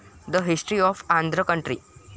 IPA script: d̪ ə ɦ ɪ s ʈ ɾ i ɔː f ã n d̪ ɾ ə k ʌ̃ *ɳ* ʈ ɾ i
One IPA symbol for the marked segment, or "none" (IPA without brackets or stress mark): ɳ